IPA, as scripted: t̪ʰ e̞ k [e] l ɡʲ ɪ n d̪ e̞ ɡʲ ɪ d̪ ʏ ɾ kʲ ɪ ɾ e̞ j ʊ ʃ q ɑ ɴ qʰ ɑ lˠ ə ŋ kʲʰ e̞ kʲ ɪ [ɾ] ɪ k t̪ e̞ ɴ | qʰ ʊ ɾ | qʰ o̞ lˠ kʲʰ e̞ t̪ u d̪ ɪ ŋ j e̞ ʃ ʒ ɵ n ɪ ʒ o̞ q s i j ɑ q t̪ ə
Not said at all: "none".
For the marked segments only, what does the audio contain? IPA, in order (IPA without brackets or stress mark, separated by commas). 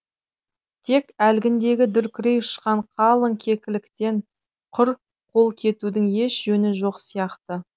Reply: æ, l